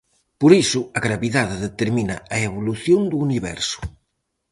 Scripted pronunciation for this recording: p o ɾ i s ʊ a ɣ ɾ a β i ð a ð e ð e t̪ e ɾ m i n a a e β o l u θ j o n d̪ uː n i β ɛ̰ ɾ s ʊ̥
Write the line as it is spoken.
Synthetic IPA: p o ɾ i s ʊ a ɣ ɾ a β i ð a ð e ð e t̪ e ɾ m i n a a e β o l u θ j o n d̪ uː n i β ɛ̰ ɾ s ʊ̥

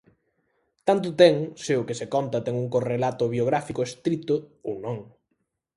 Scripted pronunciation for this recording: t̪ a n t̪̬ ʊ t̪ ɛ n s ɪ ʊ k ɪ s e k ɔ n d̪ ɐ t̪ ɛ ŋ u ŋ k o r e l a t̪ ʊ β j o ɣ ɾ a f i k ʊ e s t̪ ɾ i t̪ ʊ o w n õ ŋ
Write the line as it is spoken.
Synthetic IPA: t̪ a n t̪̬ ʊ t̪ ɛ ŋ s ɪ ʊ k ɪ s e k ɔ n t̪ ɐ t̪ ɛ ŋ u ŋ k o r e l a t̪ ʊ β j o ɣ ɾ a f i k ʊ e s t̪ ɾ i t̪ ʊ o w n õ ŋ

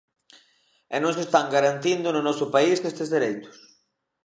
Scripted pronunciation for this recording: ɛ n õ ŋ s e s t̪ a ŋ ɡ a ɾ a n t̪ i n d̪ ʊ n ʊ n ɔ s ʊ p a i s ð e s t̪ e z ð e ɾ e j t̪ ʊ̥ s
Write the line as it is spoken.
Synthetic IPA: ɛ n õ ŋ s e s t̪ a ŋ ɡ a ɾ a n t̪ i n d̪ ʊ n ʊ n ɔ s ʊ p a i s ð e s t̪ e z ð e ɾ e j t̪ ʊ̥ s

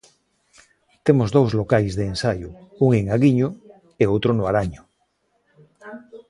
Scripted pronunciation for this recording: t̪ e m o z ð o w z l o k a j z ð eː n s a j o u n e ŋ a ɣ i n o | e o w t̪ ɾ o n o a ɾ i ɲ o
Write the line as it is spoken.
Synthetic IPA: t̪ e m o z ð o w z l o k a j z ð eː n s a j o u ŋ e ŋ a ɣ i ɲ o | e o w t̪ ɾ o n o a ɾ a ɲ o

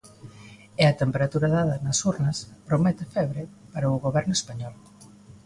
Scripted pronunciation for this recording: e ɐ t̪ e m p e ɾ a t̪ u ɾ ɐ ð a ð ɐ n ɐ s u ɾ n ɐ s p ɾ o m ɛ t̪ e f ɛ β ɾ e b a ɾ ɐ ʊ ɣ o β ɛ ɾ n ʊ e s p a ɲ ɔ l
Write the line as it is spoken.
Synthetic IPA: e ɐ t̪ e m p e ɾ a t̪ u ɾ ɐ ð a ð ɐ n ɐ s u ɾ n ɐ s p ɾ o m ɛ t̪ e f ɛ β ɾ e p a ɾ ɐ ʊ ɣ o β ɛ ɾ n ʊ e s p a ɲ ɔ l

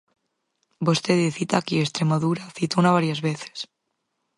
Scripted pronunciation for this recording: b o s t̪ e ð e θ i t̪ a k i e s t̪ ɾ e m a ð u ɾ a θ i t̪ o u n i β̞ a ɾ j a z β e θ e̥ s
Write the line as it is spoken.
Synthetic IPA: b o s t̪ e ð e θ i t̪ a k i e s t̪ ɾ e m a ð u ɾ a θ i t̪ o u n a β̞ a ɾ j a z β e θ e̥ s

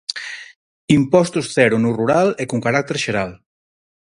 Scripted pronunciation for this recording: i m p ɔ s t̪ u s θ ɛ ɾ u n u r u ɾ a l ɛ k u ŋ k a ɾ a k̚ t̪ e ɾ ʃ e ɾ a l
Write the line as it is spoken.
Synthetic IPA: i m p ɔ s t̪ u s θ ɛ ɾ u n u r u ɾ a l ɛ k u ŋ k a ɾ a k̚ t̪ e ɾ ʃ e ɾ a l

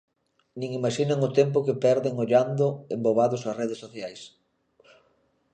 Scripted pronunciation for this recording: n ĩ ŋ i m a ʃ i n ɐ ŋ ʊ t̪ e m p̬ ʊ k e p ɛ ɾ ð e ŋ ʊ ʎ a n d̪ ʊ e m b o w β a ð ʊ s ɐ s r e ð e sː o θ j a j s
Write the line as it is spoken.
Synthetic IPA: n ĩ ŋ i m a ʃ i n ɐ ŋ ʊ t̪ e m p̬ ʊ k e p ɛ ɾ ð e ŋ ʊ ʎ a n d̪ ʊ e m b o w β a ð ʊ s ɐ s r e ð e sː o θ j a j s

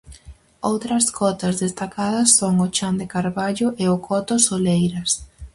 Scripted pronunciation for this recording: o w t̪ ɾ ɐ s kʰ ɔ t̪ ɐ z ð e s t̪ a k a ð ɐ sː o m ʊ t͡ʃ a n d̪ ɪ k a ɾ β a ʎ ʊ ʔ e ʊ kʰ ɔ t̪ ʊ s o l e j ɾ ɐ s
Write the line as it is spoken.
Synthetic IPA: o w t̪ ɾ ɐ s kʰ ɔ t̪ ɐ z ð e s t̪ a k a ð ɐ sː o ŋ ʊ t͡ʃ a n d̪ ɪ k a ɾ β a ʎ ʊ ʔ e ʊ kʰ ɔ t̪ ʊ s o l e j ɾ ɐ s

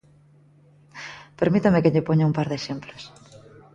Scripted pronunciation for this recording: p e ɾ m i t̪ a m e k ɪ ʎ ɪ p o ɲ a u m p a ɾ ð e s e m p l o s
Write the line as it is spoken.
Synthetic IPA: p e ɾ m i t̪ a m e k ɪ ʎ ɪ p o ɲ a u m p a ɾ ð e ʃ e m p l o s

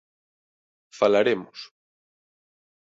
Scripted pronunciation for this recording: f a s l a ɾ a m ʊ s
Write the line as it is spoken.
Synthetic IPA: f a l a ɾ e m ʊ s

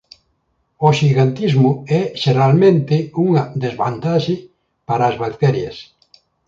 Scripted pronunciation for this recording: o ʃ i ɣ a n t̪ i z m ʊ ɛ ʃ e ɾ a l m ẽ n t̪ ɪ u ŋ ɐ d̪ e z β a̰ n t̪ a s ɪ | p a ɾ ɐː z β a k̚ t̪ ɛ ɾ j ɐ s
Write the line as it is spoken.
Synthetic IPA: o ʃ i ɣ a n t̪ i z m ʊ ɛ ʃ e ɾ a l m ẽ n t̪ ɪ u ŋ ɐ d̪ e z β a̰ n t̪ a ʃ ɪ | p a ɾ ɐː z β a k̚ t̪ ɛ ɾ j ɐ s

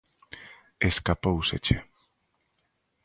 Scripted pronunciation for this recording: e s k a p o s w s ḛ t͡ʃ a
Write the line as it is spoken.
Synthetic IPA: e s k a p o w s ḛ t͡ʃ e

